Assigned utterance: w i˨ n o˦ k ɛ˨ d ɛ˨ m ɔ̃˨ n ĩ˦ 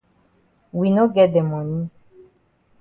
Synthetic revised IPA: w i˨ n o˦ ɡ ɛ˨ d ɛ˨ m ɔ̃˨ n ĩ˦